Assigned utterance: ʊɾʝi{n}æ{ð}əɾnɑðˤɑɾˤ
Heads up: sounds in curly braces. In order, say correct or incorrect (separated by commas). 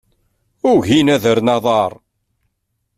correct, correct